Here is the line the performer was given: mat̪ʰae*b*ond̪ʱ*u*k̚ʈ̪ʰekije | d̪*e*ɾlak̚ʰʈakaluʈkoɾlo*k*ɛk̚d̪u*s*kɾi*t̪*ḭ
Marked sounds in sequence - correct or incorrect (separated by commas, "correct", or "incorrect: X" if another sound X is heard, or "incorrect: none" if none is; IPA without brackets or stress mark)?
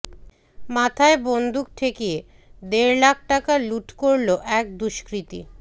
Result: correct, correct, correct, incorrect: ʔ, incorrect: ʃ, correct